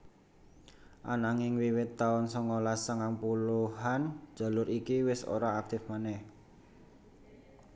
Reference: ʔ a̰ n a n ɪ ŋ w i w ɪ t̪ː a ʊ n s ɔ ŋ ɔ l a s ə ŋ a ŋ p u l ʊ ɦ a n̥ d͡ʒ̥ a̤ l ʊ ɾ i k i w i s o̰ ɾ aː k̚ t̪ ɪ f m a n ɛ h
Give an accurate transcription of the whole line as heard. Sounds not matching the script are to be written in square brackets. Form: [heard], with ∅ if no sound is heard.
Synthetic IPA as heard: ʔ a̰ n a [ŋ] ɪ ŋ w i w ɪ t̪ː a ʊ n s ɔ ŋ ɔ l a s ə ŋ a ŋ p u l [u] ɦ a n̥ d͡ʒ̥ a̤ l ʊ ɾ i k i w [ɪ] s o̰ ɾ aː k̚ t̪ ɪ f m a n ɛ h